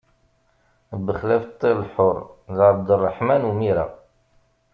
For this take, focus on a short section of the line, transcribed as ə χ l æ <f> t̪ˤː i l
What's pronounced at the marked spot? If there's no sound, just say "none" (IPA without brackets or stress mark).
f